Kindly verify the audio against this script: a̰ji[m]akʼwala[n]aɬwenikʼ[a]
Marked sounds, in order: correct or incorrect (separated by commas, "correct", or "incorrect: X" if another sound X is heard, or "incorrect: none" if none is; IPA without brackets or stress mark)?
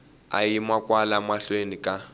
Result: correct, incorrect: m, correct